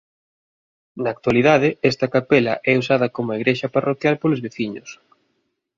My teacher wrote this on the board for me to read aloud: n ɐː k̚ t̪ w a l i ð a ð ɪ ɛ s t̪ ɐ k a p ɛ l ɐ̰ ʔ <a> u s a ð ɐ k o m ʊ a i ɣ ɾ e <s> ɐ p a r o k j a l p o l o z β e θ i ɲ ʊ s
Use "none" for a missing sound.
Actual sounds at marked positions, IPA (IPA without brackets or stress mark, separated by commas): ɛ, ʃ